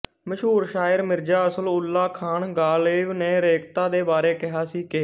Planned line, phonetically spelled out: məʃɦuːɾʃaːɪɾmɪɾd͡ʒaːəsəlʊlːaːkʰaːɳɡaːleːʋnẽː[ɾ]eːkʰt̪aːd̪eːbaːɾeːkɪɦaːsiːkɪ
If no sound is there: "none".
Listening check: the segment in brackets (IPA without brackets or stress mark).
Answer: ɾ